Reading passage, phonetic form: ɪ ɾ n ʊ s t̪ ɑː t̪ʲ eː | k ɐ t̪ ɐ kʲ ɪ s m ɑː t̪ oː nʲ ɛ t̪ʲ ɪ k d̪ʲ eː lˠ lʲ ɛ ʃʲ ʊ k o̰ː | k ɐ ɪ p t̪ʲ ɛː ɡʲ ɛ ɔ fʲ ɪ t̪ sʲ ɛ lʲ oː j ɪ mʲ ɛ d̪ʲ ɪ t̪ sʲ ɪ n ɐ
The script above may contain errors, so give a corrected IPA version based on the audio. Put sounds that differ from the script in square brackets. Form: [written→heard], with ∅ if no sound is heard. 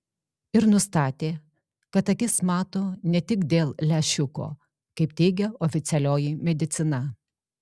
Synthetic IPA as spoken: ɪ ɾ n ʊ s t̪ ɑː t̪ʲ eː | k ɐ t̪ ɐ kʲ ɪ s m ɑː t̪ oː nʲ ɛ t̪ʲ ɪ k d̪ʲ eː lˠ lʲ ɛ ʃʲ ʊ k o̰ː | k ɐ ɪ p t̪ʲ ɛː ɡʲ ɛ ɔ fʲ ɪ t̪ sʲ ɛ lʲ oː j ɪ mʲ ɛ d̪ʲ ɪ t̪ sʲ ɪ n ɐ